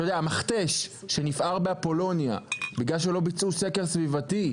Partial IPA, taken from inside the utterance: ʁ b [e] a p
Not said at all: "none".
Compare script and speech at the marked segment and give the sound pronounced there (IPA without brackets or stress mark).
e